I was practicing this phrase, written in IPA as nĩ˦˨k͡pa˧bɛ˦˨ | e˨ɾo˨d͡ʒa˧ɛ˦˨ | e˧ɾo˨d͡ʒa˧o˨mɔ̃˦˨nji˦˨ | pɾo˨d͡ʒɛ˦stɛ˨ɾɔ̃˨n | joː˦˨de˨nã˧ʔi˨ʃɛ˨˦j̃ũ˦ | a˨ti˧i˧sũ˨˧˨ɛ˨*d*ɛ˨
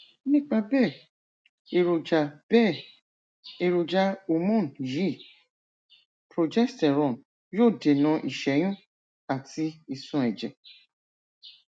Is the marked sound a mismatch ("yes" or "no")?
yes